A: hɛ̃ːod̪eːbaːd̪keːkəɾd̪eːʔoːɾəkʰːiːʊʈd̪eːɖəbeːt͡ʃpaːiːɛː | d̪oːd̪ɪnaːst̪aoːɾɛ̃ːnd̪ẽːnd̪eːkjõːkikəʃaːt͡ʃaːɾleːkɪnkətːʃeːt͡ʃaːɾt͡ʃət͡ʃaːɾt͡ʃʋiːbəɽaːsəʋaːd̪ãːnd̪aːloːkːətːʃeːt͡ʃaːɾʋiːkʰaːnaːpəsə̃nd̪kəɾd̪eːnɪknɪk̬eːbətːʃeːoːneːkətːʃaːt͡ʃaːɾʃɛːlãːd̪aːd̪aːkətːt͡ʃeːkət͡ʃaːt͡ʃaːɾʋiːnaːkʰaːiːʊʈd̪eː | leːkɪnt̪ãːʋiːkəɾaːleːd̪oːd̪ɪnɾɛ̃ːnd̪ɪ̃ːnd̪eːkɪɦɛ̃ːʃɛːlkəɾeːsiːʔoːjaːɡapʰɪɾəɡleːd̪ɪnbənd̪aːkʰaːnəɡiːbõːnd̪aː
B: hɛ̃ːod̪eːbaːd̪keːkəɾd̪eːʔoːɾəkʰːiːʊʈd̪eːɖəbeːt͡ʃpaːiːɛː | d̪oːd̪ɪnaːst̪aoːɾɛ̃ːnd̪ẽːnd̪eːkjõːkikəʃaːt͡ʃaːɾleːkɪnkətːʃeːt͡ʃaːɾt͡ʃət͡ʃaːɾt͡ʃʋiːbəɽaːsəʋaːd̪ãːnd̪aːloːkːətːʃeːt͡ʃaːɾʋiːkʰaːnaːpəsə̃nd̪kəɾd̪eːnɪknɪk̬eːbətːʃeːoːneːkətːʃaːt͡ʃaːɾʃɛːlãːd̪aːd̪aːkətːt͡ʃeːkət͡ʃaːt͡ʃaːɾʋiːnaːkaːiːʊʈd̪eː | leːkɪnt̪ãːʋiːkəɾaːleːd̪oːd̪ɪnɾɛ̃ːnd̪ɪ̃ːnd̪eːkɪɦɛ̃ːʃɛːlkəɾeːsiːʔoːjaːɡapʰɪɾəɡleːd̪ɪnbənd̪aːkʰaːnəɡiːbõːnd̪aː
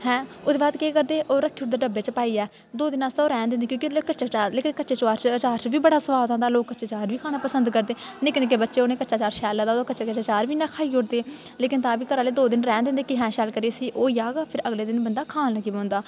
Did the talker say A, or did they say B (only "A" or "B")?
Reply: A